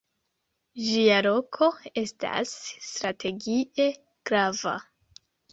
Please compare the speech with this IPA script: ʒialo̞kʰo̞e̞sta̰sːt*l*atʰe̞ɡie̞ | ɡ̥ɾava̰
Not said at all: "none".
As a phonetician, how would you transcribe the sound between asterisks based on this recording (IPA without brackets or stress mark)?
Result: ɾ